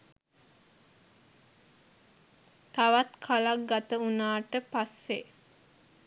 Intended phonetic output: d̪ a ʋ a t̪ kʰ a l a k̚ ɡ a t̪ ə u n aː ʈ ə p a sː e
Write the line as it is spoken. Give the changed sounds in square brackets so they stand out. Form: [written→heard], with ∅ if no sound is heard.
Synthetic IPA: [d̪→t̪] a ʋ a t̪ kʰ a l a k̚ ɡ a t̪ ə u n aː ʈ ə p a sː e